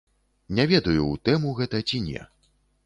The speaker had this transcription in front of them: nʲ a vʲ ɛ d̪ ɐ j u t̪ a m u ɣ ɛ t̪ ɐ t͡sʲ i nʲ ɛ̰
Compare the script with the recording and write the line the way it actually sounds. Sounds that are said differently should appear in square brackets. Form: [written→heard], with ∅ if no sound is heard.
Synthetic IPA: nʲ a vʲ ɛ d̪ ɐ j u t̪ [a→ɛ] m u ɣ ɛ t̪ ɐ t͡sʲ i nʲ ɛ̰